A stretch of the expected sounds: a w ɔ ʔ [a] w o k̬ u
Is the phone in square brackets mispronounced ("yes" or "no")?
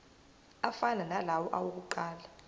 no